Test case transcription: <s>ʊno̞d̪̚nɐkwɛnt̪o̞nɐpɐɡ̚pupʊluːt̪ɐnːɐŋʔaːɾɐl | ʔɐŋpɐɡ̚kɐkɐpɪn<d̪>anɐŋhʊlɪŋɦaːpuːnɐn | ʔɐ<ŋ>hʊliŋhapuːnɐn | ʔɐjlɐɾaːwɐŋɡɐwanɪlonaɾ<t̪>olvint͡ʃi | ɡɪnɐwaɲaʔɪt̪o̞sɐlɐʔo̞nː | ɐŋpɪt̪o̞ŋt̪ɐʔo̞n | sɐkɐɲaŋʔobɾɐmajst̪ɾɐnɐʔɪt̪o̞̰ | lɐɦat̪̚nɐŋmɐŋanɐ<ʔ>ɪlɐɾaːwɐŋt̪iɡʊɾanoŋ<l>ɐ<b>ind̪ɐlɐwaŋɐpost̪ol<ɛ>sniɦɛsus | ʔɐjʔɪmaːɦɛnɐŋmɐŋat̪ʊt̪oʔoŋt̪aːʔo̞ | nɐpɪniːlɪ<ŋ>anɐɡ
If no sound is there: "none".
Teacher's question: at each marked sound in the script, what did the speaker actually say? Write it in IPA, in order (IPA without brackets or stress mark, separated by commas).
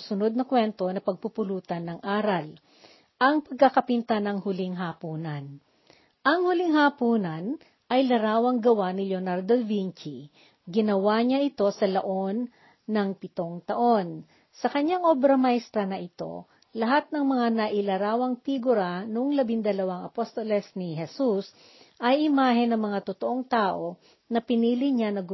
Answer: s, t̪, ŋ, d̪, ʔ, l, b, ɛ, ɲ